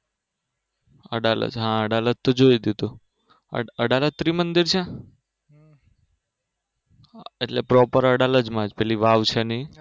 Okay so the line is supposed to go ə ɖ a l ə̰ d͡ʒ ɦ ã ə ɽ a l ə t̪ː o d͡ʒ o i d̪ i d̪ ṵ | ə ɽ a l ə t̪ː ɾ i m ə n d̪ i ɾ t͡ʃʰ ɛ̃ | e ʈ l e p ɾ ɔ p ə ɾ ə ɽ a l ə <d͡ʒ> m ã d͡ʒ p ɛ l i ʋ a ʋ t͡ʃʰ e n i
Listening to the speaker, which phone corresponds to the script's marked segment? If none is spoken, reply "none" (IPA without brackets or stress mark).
d͡ʒ